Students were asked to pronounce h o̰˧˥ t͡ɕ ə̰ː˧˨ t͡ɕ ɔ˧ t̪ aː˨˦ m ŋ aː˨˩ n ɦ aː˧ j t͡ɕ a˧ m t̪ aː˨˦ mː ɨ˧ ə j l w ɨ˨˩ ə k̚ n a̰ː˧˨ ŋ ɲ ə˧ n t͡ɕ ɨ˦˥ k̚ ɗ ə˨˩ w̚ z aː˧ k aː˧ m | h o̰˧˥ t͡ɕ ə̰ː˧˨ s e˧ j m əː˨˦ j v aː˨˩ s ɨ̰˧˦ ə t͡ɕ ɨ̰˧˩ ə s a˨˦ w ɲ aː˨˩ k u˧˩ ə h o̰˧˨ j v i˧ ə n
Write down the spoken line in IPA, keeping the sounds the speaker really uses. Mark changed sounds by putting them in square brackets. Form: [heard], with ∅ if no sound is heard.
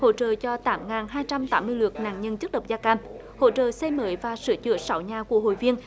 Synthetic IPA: h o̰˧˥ t͡ɕ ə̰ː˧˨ t͡ɕ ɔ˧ t̪ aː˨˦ m ŋ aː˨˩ n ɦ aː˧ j t͡ɕ a˧ m t̪ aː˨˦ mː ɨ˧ ə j l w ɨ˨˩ ə k̚ n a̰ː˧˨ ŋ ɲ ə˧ n t͡ɕ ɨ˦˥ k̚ ɗ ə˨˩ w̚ z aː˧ k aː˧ m | h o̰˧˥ t͡ɕ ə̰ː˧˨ s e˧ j m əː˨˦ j v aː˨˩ s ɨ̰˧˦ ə t͡ɕ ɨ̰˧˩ ə s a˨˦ w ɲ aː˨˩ k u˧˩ ə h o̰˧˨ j v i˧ ə n

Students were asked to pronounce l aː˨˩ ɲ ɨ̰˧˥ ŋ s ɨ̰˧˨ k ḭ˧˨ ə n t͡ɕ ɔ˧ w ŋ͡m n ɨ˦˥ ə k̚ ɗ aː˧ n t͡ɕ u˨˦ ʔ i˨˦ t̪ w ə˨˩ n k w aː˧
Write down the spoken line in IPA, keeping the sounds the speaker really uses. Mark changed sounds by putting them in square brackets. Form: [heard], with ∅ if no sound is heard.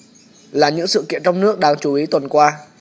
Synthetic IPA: l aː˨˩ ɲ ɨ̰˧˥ ŋ s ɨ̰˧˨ k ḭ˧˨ ə n t͡ɕ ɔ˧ w ŋ͡m n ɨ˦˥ ə k̚ ɗ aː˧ [ŋ] t͡ɕ [u˧˩] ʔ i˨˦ t̪ w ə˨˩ n k w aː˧

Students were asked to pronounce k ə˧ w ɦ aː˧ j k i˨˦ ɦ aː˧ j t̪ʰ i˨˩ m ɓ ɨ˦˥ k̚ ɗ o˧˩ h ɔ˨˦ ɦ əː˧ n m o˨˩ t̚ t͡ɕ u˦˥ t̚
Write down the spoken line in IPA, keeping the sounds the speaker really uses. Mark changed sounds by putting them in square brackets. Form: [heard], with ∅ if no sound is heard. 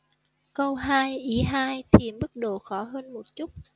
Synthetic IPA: k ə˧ w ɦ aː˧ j [ʔ] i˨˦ ɦ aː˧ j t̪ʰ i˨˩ m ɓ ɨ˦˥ k̚ ɗ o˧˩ [x] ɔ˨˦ ɦ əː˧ n m o˨˩ t̚ t͡ɕ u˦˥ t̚

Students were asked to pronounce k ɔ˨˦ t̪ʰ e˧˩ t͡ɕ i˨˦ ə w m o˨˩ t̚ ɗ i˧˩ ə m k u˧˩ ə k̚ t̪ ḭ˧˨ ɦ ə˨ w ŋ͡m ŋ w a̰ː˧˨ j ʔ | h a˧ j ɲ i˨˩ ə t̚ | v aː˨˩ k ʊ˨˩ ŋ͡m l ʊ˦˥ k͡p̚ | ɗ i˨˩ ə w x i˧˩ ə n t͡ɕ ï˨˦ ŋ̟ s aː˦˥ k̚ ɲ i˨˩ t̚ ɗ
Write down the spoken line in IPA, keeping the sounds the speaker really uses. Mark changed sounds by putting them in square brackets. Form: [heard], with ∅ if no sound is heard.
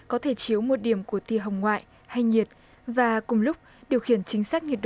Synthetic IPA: k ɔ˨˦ t̪ʰ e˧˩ t͡ɕ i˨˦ ə w m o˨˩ t̚ ɗ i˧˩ ə m k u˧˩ ə [∅] t̪ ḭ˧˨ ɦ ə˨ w ŋ͡m ŋ w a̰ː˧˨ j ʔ | h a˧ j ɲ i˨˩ ə t̚ | v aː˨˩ k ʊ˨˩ ŋ͡m l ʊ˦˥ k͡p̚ | ɗ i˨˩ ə w x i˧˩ ə n t͡ɕ ï˨˦ ŋ̟ s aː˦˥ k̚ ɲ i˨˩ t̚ ɗ

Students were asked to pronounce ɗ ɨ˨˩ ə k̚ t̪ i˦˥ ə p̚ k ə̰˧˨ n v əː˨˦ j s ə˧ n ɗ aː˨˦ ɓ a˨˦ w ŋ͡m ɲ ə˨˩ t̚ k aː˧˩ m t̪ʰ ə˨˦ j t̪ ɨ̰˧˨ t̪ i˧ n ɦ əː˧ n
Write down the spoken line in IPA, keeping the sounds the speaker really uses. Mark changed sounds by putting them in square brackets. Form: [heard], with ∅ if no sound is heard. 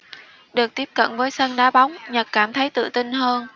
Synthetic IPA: ɗ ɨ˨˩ ə k̚ t̪ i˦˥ ə p̚ k ə̰˧˨ n v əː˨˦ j s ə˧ n ɗ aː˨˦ ɓ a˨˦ w ŋ͡m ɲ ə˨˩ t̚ k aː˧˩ m t̪ʰ ə˨˦ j t̪ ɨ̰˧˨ t̪ i˧ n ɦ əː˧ n

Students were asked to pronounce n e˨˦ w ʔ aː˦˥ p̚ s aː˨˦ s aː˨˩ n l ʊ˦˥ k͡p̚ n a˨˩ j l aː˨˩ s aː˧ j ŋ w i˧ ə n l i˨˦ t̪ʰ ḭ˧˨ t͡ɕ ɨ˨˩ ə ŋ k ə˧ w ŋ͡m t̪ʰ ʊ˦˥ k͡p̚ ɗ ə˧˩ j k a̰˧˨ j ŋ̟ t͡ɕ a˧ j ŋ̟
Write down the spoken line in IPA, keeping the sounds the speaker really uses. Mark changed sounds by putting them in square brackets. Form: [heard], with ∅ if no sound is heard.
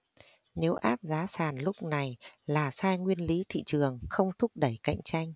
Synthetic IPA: n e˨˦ w ʔ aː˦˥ p̚ [z] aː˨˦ s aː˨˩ n l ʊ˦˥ k͡p̚ n a˨˩ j l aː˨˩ s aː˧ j ŋ w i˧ ə n l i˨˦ t̪ʰ ḭ˧˨ t͡ɕ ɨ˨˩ ə ŋ [x] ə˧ w ŋ͡m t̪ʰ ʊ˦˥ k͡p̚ ɗ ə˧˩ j k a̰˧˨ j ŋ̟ t͡ɕ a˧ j ŋ̟

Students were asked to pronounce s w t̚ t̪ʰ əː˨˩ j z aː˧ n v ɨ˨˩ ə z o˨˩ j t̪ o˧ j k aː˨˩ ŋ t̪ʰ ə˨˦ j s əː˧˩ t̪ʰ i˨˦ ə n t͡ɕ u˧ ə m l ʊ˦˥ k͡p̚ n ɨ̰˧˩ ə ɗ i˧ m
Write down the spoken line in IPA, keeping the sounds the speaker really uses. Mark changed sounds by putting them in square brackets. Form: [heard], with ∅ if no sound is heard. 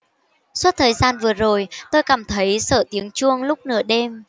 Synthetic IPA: s w t̚ t̪ʰ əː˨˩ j z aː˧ n v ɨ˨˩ ə z o˨˩ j t̪ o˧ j k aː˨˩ [m] t̪ʰ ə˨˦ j s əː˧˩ [t̪] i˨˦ ə [ŋ] t͡ɕ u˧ ə [ŋ] l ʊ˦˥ k͡p̚ n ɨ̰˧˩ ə ɗ [e˧] m

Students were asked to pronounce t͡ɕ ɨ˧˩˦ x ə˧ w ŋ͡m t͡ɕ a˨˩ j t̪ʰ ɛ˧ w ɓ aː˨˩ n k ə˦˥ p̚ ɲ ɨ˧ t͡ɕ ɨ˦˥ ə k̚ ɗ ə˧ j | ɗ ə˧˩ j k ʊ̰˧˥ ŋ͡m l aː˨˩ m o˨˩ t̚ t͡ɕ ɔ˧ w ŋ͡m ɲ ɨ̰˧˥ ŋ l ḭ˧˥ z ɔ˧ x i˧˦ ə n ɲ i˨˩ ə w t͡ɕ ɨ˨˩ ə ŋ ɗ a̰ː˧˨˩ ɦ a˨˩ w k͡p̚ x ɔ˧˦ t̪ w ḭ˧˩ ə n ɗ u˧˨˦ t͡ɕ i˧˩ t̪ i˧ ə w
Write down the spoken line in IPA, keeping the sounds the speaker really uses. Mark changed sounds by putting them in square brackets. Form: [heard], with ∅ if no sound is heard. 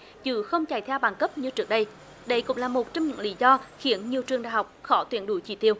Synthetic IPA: t͡ɕ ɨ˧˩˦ x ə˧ w ŋ͡m t͡ɕ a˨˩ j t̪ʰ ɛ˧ w ɓ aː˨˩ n k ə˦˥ p̚ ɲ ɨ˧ t͡ɕ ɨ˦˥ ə k̚ ɗ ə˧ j | ɗ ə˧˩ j k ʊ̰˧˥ ŋ͡m l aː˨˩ m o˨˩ t̚ t͡ɕ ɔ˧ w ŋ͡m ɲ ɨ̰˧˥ ŋ l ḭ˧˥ z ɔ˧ x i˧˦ ə n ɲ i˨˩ ə w t͡ɕ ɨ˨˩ ə ŋ ɗ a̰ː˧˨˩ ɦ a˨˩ w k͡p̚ x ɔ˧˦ t̪ w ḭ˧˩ ə n ɗ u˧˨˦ t͡ɕ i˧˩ t̪ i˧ ə w

